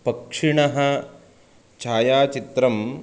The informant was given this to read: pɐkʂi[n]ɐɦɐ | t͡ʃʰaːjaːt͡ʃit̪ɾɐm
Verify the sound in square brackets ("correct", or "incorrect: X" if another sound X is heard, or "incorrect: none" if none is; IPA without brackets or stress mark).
incorrect: ɳ